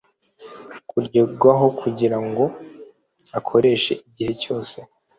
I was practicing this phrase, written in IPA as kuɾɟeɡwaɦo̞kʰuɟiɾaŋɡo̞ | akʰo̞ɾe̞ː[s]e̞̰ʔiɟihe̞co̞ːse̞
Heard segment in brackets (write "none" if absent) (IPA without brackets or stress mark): ʃ